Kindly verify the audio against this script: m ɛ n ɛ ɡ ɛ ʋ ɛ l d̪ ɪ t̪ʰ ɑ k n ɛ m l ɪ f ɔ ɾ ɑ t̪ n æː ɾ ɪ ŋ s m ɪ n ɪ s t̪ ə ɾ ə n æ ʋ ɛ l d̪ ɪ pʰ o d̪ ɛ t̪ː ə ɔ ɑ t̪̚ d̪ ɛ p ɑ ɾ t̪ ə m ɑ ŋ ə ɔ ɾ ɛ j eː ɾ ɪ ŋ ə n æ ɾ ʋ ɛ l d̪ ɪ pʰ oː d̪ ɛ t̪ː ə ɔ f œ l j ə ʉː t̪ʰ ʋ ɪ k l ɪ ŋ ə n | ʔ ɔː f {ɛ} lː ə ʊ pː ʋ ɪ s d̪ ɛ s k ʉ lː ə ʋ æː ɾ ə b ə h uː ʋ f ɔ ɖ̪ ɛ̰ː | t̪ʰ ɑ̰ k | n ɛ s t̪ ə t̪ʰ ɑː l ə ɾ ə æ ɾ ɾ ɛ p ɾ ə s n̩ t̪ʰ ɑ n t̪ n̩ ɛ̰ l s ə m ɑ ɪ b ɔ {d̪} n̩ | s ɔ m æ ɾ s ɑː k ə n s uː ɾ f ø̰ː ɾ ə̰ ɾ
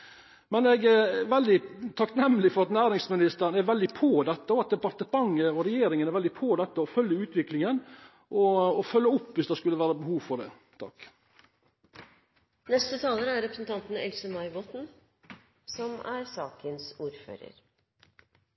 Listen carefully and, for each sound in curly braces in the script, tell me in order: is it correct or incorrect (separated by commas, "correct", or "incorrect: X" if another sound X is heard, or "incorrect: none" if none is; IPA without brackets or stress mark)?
incorrect: œ, incorrect: t̪